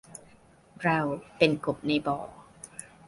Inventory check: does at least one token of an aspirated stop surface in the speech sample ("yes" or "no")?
no